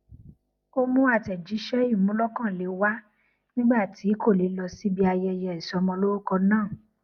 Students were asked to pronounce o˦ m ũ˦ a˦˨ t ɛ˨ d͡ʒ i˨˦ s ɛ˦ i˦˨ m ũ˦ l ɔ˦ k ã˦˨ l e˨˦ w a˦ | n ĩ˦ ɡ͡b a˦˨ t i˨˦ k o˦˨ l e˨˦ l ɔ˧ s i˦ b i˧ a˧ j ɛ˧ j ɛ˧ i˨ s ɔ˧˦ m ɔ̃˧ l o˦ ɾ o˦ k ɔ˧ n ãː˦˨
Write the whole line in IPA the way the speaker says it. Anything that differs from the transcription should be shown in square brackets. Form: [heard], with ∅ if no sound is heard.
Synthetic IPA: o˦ m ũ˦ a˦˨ t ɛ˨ d͡ʒ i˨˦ [ʃ] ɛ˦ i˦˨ m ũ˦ l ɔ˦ k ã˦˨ l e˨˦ w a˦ | n ĩ˦ ɡ͡b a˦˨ t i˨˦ k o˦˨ l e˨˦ l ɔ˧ s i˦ b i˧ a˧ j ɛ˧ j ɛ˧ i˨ s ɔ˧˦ m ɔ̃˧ l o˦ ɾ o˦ k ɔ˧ n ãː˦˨